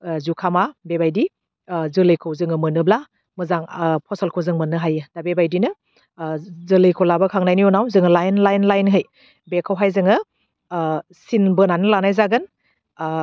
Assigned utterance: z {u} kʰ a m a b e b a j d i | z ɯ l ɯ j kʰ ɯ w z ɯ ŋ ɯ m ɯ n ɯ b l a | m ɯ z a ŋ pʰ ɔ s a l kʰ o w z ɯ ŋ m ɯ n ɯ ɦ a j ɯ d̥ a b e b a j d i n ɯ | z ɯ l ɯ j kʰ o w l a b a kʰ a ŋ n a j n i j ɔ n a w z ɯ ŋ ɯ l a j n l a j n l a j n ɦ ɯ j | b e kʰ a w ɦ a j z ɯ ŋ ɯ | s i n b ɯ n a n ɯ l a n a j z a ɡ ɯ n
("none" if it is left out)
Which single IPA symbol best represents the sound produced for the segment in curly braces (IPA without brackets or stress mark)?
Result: u